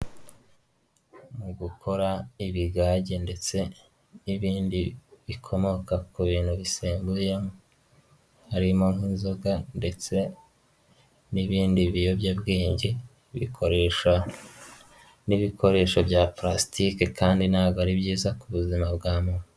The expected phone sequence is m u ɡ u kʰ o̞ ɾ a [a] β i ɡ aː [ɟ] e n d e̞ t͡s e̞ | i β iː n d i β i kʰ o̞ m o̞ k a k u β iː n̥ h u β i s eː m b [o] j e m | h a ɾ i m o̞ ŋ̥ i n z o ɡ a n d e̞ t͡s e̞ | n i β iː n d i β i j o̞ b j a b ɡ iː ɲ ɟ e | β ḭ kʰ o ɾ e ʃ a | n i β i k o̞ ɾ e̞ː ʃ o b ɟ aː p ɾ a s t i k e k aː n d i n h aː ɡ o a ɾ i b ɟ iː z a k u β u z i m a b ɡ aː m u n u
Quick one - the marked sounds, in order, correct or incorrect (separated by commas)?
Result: incorrect, correct, incorrect